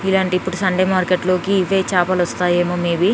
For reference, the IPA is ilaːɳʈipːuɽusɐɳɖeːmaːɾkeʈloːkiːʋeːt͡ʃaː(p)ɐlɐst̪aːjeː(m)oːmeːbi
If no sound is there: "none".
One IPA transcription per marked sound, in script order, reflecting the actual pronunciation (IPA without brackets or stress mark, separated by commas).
p, m